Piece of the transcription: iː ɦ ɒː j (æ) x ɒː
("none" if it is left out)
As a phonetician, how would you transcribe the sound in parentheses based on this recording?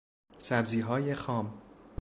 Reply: e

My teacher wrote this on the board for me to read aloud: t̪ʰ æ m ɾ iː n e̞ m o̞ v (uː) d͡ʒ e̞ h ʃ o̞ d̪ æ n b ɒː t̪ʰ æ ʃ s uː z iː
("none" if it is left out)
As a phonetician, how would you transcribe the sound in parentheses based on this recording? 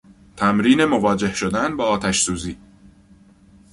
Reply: ɒː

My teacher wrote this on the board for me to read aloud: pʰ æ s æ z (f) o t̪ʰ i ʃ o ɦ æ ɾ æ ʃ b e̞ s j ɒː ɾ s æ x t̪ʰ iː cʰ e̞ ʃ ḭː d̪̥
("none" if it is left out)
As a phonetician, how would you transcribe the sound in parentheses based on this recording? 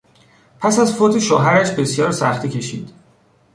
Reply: f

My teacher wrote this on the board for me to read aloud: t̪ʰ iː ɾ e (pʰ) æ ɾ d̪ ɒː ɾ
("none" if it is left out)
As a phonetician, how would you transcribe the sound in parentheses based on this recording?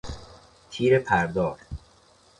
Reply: pʰ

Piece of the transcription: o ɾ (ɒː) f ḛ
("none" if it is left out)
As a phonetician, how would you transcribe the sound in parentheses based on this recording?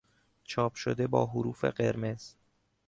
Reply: uː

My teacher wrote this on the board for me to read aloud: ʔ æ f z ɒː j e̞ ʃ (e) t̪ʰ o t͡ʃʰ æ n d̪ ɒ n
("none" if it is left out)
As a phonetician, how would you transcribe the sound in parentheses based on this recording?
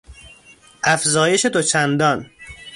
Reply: e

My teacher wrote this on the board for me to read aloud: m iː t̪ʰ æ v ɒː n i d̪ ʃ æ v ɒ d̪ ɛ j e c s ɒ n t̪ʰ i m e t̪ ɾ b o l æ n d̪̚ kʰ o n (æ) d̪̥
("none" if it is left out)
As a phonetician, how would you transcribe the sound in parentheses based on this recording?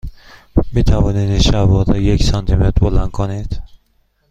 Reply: i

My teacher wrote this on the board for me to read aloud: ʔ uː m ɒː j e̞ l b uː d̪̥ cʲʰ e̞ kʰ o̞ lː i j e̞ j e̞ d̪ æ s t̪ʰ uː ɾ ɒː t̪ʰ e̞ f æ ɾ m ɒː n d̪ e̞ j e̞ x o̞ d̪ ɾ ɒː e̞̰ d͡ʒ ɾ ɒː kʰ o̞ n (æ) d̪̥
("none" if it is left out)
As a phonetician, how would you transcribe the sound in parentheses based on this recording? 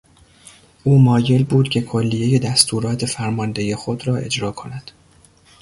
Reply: æ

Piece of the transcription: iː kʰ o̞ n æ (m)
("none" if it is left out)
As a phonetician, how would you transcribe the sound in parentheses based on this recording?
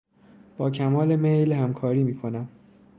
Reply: m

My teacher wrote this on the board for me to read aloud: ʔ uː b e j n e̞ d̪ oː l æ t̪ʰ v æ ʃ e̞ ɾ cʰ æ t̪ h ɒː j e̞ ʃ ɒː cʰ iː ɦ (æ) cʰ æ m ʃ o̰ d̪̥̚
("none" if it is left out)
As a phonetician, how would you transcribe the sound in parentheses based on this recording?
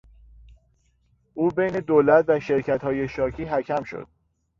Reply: æ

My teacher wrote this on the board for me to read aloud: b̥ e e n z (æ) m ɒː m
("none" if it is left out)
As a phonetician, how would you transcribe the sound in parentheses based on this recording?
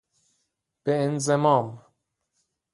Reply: e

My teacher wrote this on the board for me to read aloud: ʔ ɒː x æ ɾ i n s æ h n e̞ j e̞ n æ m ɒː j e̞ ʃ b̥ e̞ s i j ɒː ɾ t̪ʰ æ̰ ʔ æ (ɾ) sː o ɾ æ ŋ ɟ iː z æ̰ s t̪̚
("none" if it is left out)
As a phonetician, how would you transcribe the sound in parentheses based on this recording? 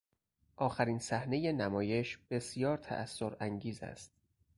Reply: none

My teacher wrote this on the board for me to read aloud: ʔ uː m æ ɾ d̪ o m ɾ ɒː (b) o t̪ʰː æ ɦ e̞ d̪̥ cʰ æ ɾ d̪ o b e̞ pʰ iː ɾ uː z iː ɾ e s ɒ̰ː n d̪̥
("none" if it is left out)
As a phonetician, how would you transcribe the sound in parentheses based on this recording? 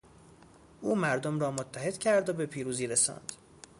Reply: m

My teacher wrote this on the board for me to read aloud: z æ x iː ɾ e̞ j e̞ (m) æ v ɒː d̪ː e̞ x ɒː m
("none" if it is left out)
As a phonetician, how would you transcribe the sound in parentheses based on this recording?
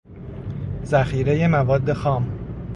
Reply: m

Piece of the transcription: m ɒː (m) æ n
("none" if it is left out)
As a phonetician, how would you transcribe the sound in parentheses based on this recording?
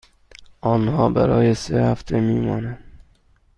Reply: n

